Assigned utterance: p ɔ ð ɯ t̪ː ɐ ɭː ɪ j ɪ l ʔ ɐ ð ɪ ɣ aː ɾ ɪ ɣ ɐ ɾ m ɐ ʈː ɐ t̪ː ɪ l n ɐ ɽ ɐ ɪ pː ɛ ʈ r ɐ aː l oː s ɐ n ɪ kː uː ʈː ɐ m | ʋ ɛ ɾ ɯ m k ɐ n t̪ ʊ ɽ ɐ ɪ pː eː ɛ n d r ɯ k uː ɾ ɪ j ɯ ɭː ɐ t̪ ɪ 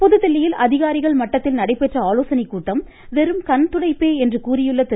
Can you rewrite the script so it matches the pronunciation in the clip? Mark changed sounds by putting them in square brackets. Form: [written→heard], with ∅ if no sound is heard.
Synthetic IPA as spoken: p ɔ ð ɯ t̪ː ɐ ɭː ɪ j ɪ l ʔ ɐ ð ɪ ɣ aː ɾ ɪ ɣ ɐ [ɾ→ɭ] m ɐ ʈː ɐ t̪ː ɪ l n ɐ ɽ ɐ ɪ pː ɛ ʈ r ɐ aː l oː s ɐ n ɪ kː uː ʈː ɐ m | ʋ ɛ ɾ ɯ m k ɐ n t̪ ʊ ɽ ɐ ɪ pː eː ɛ n d r ɯ k uː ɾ ɪ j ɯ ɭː ɐ t̪ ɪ

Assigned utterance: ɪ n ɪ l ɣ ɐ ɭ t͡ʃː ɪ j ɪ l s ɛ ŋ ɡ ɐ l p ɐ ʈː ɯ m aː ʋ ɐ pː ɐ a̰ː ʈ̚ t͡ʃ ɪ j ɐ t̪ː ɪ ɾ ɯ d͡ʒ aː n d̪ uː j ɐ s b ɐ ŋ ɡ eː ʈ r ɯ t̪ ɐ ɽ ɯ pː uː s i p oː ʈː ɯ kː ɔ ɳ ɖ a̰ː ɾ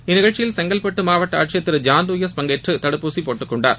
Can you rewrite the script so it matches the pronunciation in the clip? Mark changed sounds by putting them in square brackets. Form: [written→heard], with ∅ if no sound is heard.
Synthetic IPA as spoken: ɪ n ɪ [l→∅] ɣ ɐ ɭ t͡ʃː ɪ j ɪ l s ɛ ŋ ɡ ɐ l p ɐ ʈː ɯ m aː ʋ ɐ [pː→ʈː] ɐ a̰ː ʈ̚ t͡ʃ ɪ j ɐ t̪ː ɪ ɾ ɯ d͡ʒ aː n d̪ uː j ɐ s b ɐ ŋ ɡ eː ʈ r ɯ t̪ ɐ ɽ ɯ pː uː s i p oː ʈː ɯ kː ɔ ɳ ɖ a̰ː ɾ

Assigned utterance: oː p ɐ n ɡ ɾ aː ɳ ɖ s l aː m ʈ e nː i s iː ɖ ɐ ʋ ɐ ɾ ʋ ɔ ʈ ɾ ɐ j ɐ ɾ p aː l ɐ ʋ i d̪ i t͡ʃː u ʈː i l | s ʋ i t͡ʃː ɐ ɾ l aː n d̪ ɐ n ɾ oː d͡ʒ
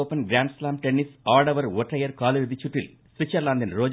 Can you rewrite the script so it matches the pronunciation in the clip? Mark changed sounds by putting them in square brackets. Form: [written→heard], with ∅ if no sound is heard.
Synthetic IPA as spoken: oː p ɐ n ɡ ɾ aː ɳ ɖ s l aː m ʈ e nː i s [iː→aː] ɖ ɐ ʋ ɐ ɾ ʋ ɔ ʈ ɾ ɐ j ɐ ɾ [p→k] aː l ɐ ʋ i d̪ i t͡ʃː u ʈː i l | s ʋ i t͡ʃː ɐ ɾ l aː n d̪ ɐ n ɾ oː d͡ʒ

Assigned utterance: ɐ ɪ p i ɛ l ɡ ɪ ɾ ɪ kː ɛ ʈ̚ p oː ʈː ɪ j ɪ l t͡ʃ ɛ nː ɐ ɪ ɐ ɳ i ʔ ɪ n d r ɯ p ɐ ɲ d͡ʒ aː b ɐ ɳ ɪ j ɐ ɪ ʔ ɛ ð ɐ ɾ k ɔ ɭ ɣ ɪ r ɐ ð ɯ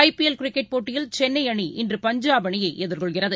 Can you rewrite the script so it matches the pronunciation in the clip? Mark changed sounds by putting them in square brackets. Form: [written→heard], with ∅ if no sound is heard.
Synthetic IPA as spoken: ɐ ɪ p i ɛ l [ɡ→k] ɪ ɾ ɪ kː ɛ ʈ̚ p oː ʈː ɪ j ɪ l t͡ʃ ɛ nː ɐ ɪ ɐ ɳ i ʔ ɪ n d r ɯ p ɐ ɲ d͡ʒ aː b ɐ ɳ ɪ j ɐ ɪ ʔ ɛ ð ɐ ɾ k ɔ ɭ ɣ ɪ r ɐ ð ɯ

